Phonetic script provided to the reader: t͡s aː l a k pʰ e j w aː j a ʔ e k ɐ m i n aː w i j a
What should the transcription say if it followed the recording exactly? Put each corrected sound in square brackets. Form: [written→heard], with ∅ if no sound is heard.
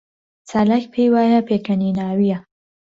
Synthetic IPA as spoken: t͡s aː l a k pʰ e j w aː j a [ʔ→p] e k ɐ [m→n] i n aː w i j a

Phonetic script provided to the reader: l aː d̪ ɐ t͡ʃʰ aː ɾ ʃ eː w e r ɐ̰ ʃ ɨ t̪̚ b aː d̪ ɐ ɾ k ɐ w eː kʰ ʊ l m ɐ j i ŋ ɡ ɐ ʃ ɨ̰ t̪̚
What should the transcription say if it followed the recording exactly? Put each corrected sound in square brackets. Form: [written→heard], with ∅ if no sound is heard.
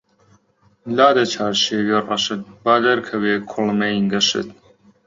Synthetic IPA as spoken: l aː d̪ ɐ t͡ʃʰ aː ɾ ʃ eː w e r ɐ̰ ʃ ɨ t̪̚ b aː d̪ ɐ ɾ [k→kʰ] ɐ w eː kʰ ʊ l m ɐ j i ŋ ɡ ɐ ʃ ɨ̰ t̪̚

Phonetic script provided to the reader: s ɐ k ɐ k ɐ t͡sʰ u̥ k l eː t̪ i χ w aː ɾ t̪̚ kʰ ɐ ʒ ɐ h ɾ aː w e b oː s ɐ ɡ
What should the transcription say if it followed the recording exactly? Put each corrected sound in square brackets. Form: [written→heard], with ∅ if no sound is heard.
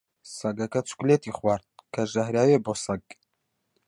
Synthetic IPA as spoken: s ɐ [k→ɡ] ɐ k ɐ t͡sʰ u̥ k l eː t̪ i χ w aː ɾ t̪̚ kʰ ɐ ʒ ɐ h ɾ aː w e b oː s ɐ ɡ

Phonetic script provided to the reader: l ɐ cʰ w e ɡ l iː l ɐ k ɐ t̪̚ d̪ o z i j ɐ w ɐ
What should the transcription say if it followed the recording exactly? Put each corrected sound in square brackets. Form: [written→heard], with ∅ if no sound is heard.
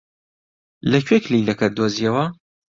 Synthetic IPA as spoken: l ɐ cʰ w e [ɡ→k] l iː l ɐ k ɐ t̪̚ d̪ o z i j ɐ w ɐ

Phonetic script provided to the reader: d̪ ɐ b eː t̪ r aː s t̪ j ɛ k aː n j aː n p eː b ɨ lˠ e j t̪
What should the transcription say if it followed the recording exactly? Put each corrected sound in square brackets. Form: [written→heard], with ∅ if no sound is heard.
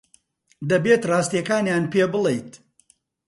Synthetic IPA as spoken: d̪ ɐ b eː t̪ r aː s t̪ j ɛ k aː n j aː n p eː b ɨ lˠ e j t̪

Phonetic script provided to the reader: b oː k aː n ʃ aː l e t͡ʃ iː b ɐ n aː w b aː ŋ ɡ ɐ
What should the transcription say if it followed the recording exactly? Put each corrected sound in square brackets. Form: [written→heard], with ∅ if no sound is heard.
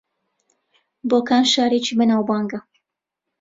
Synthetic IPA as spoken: b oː k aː n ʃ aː [l→ɾ] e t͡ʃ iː b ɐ n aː w b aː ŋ ɡ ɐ

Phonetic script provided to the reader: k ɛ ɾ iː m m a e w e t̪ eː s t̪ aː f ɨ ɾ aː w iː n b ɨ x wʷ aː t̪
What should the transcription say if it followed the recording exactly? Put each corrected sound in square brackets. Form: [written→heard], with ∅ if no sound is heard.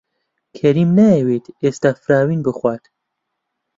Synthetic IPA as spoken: [k→kʰ] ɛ ɾ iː m [m→n] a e w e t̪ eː s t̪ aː f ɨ ɾ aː w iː n b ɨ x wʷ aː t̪

